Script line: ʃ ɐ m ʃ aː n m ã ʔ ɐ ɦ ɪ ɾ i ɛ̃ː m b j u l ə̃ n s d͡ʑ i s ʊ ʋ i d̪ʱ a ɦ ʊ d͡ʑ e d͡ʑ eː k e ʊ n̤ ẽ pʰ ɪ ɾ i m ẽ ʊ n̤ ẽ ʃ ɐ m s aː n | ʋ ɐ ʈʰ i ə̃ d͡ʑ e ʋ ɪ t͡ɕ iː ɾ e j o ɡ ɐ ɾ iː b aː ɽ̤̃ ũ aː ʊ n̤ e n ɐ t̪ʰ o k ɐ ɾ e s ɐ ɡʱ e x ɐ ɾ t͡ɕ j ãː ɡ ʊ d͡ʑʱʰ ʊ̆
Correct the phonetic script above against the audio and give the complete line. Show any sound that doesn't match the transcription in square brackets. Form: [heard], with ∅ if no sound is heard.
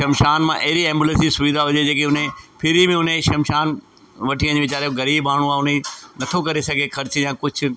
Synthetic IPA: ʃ ɐ m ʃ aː n m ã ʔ ɐ ɦ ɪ ɾ i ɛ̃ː m b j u l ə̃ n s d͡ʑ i s ʊ ʋ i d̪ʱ a ɦ ʊ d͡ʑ e d͡ʑ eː k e ʊ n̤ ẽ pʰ ɪ ɾ i m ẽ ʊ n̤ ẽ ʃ ɐ m [ʃ] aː n | ʋ ɐ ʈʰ i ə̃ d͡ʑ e ʋ ɪ t͡ɕ [aː] ɾ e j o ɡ ɐ ɾ iː b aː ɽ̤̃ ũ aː ʊ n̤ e n ɐ t̪ʰ o k ɐ ɾ e s ɐ ɡʱ e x ɐ ɾ t͡ɕ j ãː [k] ʊ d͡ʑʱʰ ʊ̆

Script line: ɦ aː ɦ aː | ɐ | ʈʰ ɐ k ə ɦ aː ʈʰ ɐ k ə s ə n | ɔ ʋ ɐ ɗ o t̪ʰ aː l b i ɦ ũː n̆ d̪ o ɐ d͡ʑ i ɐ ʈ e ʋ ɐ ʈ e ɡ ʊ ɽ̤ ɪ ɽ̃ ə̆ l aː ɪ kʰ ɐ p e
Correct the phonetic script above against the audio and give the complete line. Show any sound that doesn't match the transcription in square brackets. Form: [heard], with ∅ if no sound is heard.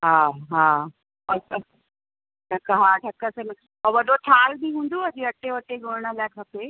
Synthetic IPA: ɦ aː ɦ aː | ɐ | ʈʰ ɐ k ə ɦ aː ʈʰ ɐ k ə s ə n | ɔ ʋ ɐ ɗ o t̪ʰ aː l b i ɦ ũː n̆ d̪ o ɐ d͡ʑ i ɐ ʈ e ʋ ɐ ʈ e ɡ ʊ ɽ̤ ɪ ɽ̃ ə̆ l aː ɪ kʰ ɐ p e

